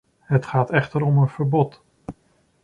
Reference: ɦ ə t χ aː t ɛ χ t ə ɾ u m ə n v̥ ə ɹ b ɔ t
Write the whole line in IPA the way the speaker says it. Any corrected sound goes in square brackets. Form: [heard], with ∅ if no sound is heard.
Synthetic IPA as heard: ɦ ə t χ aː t ɛ χ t ə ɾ [ɔ] m ə n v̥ ə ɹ b ɔ t